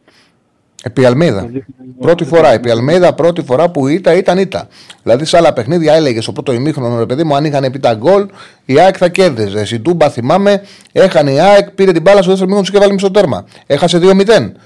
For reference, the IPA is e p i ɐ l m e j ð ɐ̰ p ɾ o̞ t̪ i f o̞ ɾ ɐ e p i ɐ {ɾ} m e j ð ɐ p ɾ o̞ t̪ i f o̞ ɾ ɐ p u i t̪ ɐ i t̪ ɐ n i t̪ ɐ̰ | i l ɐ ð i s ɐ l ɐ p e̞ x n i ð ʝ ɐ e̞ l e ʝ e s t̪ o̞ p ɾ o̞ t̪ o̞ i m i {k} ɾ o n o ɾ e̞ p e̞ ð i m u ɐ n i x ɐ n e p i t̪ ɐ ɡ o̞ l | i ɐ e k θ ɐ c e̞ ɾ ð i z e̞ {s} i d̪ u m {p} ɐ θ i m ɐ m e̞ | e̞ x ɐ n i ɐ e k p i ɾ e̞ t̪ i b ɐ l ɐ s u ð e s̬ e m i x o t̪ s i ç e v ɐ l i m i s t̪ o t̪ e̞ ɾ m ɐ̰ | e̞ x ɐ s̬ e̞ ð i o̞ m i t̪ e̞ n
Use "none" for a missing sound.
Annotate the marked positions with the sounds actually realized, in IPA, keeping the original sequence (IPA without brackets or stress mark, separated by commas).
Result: l, x, s, b